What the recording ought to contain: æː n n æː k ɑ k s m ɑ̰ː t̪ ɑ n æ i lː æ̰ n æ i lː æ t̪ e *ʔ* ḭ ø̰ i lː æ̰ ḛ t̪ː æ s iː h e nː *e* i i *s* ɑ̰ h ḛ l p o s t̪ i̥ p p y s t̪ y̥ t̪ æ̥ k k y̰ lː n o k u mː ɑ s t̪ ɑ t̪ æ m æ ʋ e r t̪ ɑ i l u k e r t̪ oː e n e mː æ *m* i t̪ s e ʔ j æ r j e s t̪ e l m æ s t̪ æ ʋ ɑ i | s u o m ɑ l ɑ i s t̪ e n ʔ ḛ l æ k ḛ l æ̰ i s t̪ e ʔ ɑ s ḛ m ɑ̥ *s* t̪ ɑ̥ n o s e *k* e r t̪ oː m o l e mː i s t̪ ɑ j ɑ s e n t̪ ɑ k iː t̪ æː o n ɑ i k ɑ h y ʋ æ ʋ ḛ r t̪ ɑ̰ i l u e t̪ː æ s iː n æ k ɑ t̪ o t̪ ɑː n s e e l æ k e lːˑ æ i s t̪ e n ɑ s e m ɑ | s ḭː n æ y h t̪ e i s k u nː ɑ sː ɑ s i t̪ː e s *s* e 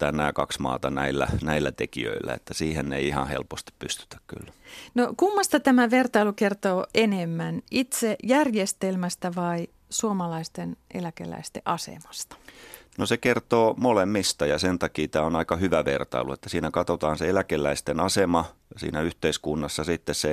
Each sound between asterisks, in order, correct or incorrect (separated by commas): incorrect, correct, incorrect, incorrect, correct, correct, correct